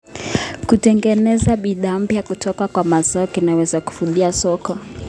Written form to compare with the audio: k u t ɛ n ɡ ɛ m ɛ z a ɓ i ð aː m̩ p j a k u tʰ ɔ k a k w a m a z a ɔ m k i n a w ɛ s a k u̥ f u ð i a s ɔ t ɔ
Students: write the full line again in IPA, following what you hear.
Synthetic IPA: k u t ɛ ŋ ɡ ɛ n ɛ z a ɓ i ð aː m̩ p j a k u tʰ ɔ k a k w a m a z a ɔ k i n a w ɛ z a k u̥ f u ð i a s ɔ k ɔ

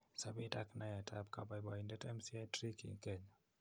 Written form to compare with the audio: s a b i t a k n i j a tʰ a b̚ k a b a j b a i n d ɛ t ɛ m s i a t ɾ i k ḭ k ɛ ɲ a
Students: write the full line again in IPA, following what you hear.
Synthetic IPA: s a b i t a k n a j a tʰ a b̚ k a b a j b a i n d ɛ t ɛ m s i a t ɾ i k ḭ k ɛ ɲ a

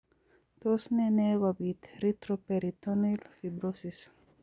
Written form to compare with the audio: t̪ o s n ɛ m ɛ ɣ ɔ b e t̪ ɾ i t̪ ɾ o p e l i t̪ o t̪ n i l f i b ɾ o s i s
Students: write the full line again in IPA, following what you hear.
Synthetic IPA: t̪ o s n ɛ n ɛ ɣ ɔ b i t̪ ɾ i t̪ ɾ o p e ɾ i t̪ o n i l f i b ɾ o s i s

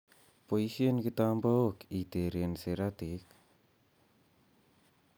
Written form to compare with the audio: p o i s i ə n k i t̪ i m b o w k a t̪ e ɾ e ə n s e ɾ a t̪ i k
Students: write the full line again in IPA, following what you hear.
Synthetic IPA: p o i s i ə n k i t̪ a m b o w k i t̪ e ɾ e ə n s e ɾ a t̪ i k

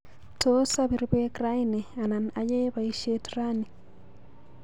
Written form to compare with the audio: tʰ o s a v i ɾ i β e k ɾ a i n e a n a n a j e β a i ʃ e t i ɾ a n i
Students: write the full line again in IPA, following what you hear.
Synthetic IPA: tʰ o s a β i ɾ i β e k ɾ a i n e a n a n a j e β a i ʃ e t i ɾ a n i

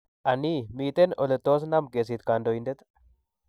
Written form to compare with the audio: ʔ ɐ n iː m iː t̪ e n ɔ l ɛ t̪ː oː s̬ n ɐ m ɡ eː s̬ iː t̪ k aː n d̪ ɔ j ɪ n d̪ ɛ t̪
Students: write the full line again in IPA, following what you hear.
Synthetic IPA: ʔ ɐ n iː m iː t̪ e n ɔ l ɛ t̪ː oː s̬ n ɐ m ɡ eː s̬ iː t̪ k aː n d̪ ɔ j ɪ n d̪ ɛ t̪

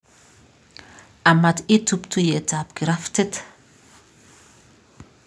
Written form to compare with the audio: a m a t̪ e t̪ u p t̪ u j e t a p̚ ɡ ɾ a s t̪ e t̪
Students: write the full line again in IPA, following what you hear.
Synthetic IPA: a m a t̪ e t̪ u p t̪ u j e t a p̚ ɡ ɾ a f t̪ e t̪

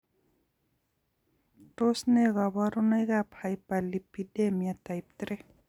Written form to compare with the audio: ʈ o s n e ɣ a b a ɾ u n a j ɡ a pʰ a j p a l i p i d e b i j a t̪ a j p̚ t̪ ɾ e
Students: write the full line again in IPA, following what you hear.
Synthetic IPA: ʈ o s n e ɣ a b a ɾ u n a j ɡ a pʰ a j p a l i p i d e m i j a t̪ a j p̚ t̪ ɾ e

